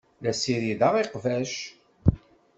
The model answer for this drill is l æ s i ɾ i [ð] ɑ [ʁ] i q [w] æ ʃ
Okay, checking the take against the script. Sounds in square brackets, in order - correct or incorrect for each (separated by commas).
correct, correct, incorrect